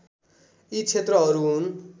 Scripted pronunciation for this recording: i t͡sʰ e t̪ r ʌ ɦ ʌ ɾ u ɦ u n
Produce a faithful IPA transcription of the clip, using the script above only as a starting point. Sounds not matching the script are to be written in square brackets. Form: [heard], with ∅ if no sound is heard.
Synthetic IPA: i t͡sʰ e t̪ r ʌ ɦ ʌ ɾ u ɦ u n